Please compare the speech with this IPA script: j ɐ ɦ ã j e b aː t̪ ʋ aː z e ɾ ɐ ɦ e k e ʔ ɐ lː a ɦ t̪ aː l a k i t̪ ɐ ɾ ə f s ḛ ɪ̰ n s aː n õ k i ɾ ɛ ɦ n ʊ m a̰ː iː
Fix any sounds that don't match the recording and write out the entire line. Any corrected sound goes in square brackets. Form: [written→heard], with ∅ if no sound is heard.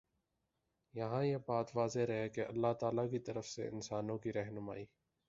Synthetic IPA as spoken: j ɐ ɦ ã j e b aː t̪ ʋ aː z e ɾ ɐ ɦ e k e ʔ ɐ lː a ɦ t̪ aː l a k i t̪ ɐ ɾ ə f s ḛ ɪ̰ n s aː n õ k i ɾ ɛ ɦ n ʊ m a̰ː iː